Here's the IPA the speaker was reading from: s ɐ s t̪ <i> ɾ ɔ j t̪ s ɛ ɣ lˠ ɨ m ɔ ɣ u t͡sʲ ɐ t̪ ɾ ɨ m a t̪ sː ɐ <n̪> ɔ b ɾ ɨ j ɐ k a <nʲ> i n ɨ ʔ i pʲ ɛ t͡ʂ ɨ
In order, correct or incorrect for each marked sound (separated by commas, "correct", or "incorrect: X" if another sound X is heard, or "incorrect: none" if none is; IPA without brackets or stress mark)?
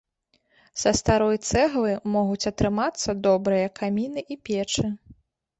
incorrect: a, incorrect: d̪, incorrect: mʲ